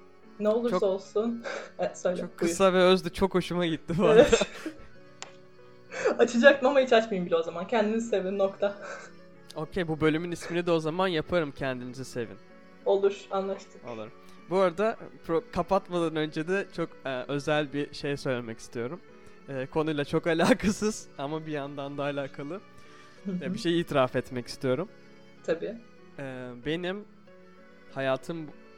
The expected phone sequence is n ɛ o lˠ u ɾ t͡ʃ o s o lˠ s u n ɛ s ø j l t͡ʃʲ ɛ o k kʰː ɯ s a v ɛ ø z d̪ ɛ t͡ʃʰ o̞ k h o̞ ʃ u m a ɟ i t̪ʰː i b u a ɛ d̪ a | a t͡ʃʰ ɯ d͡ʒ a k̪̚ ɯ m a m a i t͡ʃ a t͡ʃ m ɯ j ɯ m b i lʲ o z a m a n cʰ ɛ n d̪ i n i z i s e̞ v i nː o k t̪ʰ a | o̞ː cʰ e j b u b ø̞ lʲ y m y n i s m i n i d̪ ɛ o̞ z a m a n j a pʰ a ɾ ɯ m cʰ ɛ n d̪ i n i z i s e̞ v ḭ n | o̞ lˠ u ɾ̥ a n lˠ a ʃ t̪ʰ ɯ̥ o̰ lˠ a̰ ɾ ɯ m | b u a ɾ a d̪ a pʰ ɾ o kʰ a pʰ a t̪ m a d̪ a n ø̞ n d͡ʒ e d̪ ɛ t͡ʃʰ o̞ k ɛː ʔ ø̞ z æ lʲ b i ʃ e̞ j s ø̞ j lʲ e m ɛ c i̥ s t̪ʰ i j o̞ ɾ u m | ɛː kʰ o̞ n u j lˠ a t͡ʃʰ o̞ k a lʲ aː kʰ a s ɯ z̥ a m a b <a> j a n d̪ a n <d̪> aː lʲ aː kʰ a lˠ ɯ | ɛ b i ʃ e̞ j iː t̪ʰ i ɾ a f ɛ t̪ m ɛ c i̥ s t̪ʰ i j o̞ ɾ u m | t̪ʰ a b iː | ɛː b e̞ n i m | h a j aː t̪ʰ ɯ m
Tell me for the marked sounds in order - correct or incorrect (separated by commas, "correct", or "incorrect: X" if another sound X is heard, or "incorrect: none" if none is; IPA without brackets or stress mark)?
incorrect: i, correct